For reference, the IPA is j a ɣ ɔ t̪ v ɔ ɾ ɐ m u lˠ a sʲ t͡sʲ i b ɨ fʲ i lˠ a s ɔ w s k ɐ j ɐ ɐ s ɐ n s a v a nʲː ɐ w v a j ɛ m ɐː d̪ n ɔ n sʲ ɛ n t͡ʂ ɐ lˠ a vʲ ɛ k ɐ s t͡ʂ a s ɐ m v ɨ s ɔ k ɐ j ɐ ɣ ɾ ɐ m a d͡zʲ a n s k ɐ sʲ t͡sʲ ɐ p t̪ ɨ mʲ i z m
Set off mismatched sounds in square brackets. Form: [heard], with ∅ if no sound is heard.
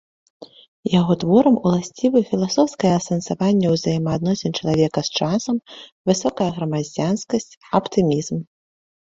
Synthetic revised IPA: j a ɣ ɔ t̪ v ɔ ɾ ɐ m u lˠ a sʲ t͡sʲ i [v] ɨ fʲ i lˠ a s ɔ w s k ɐ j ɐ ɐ s ɐ n s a v a nʲː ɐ w [z] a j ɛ m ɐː d̪ n ɔ [∅] sʲ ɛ n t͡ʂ ɐ lˠ a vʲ ɛ k ɐ s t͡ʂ a s ɐ m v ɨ s ɔ k ɐ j ɐ ɣ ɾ ɐ m a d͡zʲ a n s k ɐ sʲ t͡sʲ ɐ p t̪ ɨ mʲ i z m